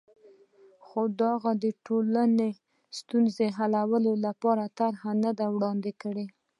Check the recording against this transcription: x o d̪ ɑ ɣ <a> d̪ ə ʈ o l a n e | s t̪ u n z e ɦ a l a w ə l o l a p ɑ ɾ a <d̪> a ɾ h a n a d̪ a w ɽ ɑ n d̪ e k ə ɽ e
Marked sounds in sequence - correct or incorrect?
correct, incorrect

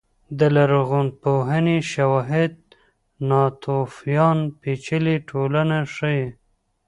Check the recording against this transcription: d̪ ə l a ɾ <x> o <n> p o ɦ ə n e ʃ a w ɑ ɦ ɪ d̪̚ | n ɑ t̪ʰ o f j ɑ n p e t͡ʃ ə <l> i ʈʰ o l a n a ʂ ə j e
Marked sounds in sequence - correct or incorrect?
incorrect, correct, correct

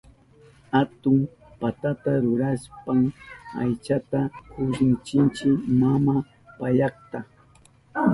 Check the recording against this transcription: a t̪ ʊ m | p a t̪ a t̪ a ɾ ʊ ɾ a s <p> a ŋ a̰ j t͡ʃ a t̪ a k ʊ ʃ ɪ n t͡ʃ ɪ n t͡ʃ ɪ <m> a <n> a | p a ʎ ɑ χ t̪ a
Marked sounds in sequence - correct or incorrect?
correct, correct, incorrect

